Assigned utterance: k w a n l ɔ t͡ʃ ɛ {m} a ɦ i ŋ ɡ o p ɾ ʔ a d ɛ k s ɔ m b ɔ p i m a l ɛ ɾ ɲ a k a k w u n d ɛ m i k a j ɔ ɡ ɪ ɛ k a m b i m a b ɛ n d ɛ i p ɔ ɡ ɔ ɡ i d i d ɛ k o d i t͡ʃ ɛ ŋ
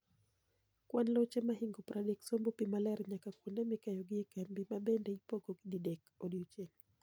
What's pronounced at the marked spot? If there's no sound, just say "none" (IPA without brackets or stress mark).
m